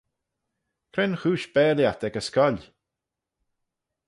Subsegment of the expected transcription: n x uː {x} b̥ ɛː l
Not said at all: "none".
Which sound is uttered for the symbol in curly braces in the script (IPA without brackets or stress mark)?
ʃ